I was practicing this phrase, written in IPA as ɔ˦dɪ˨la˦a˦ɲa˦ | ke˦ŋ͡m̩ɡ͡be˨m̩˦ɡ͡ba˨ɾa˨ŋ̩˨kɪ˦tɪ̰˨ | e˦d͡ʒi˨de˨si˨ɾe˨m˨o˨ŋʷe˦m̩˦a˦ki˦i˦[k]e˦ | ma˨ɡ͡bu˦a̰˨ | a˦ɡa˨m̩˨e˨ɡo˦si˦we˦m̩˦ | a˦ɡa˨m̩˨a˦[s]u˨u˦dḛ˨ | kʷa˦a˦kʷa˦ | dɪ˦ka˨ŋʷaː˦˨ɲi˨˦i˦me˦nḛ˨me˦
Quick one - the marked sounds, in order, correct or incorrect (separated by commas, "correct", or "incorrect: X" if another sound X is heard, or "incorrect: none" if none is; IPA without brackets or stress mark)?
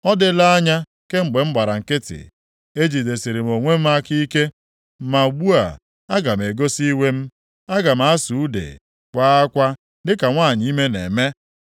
correct, correct